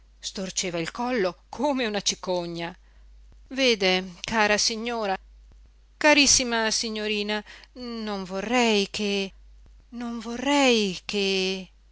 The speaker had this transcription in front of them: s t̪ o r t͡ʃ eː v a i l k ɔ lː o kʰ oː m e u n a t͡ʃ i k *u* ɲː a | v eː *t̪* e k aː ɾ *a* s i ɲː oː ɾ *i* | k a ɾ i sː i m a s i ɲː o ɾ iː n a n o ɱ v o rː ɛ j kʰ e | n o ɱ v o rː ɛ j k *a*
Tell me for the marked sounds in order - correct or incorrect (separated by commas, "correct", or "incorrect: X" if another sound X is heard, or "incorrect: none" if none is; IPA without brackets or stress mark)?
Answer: incorrect: o, incorrect: d̪, correct, incorrect: a, incorrect: e